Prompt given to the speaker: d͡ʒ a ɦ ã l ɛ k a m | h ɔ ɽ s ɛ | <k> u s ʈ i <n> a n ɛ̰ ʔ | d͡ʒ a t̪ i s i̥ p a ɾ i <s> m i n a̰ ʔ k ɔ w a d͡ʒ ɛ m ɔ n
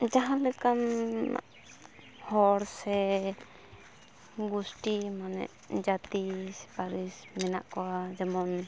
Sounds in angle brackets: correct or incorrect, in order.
incorrect: ɡ, incorrect: m, correct

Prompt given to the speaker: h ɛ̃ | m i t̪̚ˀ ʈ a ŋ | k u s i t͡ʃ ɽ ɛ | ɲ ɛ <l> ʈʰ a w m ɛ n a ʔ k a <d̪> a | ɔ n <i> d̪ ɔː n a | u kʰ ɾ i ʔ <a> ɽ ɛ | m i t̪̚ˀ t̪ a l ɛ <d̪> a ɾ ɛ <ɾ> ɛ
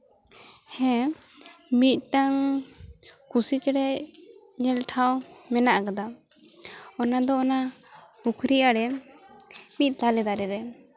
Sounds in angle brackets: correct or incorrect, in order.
correct, correct, incorrect: a, correct, correct, correct

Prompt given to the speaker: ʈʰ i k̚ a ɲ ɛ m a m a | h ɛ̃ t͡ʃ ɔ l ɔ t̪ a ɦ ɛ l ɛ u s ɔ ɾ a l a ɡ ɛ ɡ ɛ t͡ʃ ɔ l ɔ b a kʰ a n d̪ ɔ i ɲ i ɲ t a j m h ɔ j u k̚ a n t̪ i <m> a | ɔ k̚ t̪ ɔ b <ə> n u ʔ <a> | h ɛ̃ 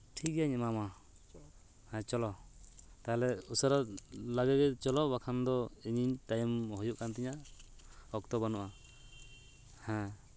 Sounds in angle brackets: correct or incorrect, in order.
incorrect: ɲ, incorrect: a, correct

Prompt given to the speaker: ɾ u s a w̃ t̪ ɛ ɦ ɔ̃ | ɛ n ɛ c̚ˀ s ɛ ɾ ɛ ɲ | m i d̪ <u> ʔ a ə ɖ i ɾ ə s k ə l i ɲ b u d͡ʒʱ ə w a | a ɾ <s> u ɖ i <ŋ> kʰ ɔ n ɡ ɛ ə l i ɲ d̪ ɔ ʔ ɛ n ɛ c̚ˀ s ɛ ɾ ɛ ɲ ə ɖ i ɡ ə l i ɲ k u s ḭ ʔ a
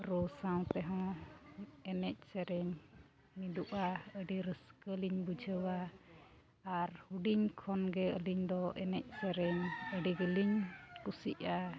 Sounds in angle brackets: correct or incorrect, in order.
correct, incorrect: h, incorrect: ɲ

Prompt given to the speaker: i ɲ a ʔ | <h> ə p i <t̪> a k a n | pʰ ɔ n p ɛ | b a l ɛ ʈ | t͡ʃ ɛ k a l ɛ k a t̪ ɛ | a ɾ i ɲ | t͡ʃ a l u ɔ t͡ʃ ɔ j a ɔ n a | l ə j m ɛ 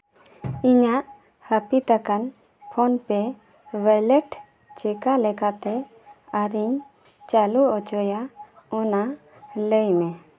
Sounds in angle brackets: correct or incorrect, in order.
correct, correct

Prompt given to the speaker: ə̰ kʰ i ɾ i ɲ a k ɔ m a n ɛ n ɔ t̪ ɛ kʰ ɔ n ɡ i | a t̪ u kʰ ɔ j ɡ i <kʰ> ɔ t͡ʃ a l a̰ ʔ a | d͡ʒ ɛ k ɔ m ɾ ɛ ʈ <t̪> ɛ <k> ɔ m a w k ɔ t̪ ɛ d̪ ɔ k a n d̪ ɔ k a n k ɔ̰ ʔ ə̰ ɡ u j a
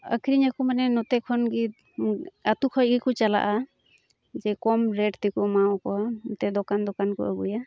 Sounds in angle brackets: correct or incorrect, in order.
incorrect: k, correct, correct

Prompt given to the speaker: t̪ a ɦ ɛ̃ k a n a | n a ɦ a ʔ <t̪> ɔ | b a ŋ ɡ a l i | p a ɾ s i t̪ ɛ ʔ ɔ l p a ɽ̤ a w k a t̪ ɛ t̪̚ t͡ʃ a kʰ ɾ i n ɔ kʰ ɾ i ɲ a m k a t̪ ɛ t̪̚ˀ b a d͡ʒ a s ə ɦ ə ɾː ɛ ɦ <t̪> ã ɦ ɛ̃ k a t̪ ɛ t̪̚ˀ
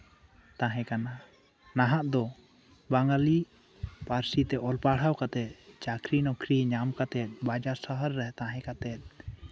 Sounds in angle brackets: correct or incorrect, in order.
incorrect: d̪, correct

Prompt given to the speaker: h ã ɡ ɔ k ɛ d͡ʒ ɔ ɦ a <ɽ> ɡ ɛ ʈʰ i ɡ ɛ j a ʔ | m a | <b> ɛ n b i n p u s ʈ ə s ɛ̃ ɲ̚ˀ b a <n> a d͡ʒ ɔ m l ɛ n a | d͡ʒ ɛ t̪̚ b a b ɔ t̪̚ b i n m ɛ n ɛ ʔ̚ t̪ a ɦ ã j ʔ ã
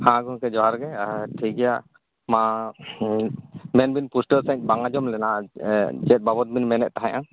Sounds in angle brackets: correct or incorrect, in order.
incorrect: ɾ, incorrect: m, incorrect: ŋ

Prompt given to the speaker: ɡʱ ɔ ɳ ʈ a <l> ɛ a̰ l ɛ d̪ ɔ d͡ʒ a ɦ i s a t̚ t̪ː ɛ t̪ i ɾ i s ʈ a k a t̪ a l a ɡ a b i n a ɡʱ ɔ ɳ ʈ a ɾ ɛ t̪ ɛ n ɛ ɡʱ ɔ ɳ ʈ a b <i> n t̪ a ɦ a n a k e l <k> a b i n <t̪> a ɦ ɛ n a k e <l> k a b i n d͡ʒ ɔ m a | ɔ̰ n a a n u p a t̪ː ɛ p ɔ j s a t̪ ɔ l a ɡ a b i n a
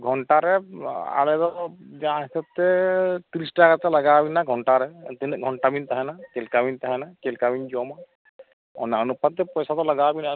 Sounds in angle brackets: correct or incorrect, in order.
incorrect: ɾ, correct, correct, correct, correct

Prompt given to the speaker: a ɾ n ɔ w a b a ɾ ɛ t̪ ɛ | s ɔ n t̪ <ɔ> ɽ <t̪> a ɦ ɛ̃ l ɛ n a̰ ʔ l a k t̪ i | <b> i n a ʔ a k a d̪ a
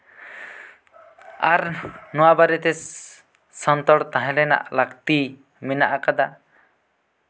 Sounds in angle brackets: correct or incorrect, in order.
correct, correct, incorrect: m

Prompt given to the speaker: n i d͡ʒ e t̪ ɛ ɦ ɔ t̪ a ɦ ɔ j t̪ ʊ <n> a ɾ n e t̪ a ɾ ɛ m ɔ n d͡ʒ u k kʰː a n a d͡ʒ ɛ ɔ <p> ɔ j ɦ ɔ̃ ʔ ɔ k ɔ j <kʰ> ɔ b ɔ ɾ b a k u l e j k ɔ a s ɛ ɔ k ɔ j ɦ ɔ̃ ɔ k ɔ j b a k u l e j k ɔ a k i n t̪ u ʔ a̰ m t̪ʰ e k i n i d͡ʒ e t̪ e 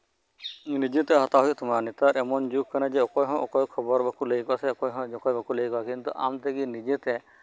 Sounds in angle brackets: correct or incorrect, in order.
incorrect: m, incorrect: k, correct

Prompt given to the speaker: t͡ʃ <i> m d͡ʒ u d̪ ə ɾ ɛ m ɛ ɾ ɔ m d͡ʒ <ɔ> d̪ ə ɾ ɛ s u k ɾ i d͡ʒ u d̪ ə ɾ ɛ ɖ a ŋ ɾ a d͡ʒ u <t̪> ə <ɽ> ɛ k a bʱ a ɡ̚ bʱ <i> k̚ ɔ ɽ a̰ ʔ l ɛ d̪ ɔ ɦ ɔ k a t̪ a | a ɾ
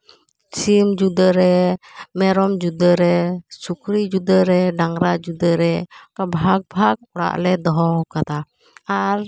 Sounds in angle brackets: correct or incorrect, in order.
correct, incorrect: u, incorrect: d̪, incorrect: ɾ, incorrect: a

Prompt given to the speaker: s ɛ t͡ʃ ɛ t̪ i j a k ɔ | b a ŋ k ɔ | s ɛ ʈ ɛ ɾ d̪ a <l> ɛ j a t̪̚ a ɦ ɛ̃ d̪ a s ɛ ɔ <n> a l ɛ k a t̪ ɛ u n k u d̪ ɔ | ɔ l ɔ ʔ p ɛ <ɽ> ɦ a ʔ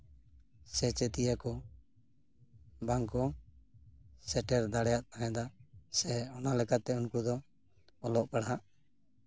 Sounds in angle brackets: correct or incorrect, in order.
incorrect: ɽ, correct, correct

